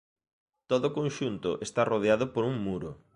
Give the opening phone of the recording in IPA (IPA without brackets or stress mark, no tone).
t̪